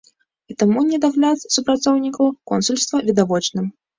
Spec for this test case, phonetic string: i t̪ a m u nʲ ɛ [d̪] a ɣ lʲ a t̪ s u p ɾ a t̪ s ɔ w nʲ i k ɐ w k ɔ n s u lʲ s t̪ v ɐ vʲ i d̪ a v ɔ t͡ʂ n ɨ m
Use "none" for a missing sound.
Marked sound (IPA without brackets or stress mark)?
d̪